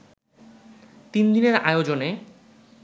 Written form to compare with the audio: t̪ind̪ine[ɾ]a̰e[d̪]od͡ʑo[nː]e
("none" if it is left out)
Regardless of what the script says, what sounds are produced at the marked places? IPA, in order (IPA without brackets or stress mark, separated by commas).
ɾ, none, n